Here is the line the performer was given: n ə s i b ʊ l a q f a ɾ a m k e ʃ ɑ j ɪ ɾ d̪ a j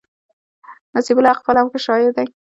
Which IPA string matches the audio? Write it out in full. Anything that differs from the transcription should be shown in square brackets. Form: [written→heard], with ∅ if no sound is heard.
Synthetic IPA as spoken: n [ə→a] s i b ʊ l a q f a [ɾ→l] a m k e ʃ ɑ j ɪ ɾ d̪ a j